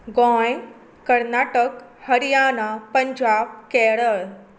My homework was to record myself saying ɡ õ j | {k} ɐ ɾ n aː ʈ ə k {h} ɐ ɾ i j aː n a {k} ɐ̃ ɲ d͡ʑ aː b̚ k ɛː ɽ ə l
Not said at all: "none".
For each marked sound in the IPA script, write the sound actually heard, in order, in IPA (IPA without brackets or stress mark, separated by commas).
k, h, p